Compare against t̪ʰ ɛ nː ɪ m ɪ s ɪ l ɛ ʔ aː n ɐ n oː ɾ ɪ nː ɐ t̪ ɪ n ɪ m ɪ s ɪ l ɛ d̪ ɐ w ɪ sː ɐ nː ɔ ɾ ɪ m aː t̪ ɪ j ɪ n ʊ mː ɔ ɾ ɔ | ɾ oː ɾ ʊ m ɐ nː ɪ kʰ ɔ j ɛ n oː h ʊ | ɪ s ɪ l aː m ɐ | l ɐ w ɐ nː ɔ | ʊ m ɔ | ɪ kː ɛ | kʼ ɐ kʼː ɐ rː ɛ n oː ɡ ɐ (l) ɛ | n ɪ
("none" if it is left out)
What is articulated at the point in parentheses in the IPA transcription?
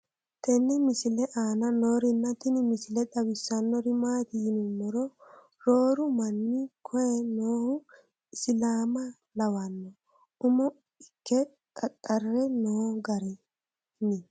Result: ɾ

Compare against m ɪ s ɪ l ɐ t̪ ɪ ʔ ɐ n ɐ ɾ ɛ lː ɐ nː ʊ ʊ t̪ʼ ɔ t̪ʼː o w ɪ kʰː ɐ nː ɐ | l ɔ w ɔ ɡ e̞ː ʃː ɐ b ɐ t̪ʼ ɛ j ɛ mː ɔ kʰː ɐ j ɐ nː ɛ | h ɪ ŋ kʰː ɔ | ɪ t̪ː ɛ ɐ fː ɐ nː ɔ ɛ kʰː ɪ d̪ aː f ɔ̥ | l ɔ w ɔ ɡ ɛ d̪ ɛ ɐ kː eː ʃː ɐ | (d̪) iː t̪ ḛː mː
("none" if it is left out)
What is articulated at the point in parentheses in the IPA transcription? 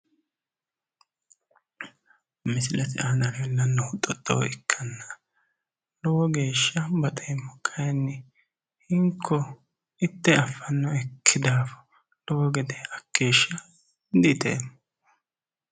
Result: d̪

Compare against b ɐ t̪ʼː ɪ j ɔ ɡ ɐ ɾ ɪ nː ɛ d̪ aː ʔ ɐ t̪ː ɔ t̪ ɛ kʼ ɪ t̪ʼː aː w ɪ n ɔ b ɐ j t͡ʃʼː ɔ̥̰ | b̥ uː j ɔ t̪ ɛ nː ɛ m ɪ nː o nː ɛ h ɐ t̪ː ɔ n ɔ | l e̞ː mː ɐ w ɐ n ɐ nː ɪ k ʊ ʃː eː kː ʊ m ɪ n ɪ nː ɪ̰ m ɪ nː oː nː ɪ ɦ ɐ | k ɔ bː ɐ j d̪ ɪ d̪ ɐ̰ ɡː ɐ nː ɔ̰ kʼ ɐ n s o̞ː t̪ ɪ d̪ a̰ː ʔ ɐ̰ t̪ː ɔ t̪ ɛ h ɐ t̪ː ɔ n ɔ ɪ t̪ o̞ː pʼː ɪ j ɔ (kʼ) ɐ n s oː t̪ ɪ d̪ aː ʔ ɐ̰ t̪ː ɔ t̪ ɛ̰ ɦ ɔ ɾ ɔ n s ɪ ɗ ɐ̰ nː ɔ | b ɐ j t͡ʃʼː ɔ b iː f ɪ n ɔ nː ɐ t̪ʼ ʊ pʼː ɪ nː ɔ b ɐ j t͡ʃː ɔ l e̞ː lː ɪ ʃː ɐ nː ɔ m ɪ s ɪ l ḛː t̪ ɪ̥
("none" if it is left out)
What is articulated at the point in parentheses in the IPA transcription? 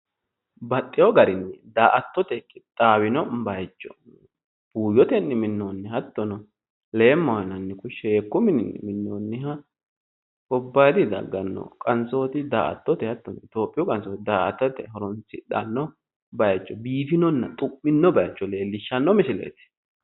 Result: kʼ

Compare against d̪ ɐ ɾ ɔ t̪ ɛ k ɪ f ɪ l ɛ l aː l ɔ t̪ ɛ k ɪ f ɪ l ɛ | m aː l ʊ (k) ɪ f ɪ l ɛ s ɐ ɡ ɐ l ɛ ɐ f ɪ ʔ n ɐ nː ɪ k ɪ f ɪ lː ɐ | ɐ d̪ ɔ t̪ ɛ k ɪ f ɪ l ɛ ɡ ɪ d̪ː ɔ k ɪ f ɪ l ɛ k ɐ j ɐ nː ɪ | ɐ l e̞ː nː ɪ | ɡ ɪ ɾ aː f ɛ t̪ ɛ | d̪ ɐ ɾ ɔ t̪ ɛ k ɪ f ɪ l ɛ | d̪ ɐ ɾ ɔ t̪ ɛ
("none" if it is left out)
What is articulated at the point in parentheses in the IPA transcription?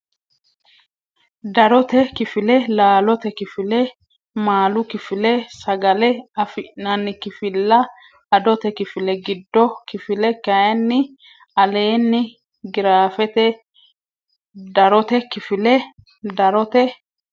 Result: k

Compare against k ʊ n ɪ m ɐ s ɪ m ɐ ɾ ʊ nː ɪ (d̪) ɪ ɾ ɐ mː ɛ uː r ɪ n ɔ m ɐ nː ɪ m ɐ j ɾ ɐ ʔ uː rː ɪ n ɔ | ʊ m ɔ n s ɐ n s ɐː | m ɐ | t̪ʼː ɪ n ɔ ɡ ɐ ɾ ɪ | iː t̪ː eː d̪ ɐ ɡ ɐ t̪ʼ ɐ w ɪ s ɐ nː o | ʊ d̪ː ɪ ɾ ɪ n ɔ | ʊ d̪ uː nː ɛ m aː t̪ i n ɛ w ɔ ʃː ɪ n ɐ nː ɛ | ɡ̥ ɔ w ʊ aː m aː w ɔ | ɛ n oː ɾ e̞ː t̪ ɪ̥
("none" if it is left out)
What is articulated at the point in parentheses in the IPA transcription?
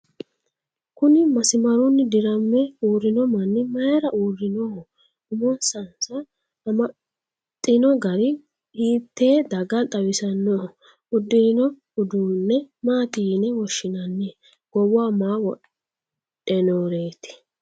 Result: d̪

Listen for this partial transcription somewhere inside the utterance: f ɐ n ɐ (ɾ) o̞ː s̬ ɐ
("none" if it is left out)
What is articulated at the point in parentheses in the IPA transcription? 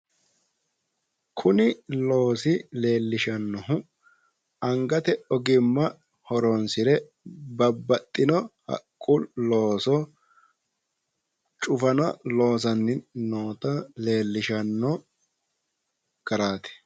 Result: l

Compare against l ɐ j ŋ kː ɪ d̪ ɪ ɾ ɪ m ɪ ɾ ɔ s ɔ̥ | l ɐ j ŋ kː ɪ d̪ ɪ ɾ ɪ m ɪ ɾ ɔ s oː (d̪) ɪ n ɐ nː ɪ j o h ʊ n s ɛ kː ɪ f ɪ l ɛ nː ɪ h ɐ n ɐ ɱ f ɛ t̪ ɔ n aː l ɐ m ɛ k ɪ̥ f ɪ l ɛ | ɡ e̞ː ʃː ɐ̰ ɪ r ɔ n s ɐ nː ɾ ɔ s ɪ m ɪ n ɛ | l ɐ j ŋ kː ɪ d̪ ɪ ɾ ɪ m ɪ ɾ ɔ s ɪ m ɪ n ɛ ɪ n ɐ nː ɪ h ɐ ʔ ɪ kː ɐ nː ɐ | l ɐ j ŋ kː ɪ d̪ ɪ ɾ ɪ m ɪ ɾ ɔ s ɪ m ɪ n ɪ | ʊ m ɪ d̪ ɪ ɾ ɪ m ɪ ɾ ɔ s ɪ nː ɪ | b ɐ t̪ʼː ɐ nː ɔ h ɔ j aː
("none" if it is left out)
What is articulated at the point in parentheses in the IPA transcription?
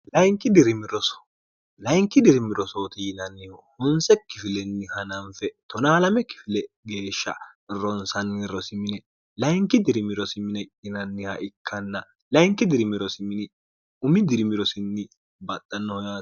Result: t̪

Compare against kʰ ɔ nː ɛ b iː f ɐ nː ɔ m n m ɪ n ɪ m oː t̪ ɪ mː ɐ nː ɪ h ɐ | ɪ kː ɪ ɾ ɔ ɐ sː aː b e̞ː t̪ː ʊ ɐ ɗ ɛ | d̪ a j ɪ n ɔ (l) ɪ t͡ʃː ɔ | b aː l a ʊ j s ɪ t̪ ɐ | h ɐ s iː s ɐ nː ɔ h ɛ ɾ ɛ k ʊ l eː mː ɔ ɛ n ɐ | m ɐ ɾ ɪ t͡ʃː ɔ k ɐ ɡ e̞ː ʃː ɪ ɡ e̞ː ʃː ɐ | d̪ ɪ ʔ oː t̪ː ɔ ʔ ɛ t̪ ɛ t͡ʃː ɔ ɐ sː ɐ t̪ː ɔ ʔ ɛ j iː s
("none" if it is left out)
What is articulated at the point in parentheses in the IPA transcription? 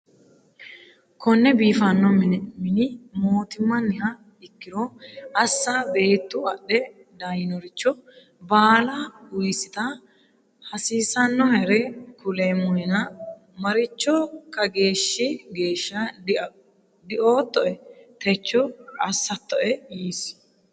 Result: ɾ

